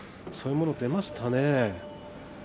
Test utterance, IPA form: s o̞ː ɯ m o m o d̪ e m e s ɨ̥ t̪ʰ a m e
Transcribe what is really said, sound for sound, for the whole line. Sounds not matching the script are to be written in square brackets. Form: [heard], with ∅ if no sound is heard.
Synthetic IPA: s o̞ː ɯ m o [n] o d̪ e m [a] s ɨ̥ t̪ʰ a [n] e

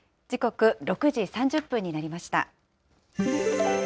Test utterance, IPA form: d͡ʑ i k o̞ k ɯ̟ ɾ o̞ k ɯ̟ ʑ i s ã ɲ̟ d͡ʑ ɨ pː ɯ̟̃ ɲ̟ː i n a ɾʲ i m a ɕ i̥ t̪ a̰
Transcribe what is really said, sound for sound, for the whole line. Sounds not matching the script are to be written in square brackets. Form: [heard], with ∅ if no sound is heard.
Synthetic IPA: d͡ʑ i k o̞ k ɯ̟ ɾ o̞ k ɯ̟ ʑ i s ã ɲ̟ d͡ʑ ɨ pː ɯ̟̃ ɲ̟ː i n a ɾʲ i m a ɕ i̥ t̪ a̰

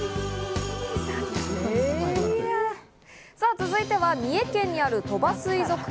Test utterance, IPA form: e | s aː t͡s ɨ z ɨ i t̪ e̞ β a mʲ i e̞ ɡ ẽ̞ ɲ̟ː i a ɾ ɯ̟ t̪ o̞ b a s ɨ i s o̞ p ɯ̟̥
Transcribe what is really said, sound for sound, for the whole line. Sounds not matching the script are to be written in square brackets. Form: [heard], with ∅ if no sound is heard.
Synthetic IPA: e | s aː t͡s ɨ z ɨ i t̪ e̞ β a mʲ i e̞ [k] ẽ̞ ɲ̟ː i a ɾ ɯ̟ t̪ o̞ b a s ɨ i [z] o̞ [k] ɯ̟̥

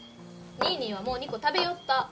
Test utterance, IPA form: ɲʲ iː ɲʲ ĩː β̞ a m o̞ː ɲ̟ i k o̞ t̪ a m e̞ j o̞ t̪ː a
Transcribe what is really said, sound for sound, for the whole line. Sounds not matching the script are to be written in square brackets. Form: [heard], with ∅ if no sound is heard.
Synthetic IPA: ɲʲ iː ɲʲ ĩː β̞ a m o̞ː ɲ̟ i k o̞ t̪ a [b] e̞ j o̞ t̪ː a

